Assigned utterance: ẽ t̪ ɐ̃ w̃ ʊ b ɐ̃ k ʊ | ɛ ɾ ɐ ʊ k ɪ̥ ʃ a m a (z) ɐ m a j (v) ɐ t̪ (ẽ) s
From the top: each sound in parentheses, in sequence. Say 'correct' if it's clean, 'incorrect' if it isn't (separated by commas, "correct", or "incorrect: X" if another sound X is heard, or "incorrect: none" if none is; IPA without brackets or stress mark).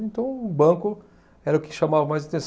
incorrect: v, incorrect: z, correct